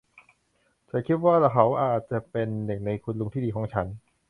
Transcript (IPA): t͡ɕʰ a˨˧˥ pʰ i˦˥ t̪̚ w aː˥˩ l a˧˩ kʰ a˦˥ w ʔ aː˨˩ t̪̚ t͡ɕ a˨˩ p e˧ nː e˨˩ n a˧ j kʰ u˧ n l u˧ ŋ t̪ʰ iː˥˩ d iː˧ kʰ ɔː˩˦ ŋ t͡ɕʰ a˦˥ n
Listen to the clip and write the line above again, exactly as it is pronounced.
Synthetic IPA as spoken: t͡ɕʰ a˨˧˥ kʰ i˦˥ t̪̚ w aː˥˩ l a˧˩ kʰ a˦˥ w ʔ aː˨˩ t̪̚ t͡ɕ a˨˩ p e˧ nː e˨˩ n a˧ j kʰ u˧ n l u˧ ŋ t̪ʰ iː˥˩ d iː˧ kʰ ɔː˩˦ ŋ t͡ɕʰ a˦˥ n